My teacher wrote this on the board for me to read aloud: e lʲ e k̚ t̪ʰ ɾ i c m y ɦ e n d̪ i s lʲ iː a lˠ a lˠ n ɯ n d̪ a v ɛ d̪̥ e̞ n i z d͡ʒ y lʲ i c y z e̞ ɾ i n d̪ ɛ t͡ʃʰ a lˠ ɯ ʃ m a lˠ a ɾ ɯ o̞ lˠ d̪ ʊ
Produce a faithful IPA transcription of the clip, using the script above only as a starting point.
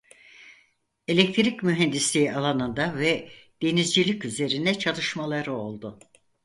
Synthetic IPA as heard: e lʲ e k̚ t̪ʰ ɾ i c m y ɦ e n d̪ i s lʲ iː a lˠ a n ɯ n d̪ a v ɛ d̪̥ e̞ n i z d͡ʒ i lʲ i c y z e̞ ɾ i n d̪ ɛ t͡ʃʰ a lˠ ɯ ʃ m a lˠ a ɾ ɯ o̞ lˠ d̪ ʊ